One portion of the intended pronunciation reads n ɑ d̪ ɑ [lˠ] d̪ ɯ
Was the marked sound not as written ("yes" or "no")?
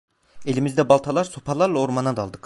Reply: no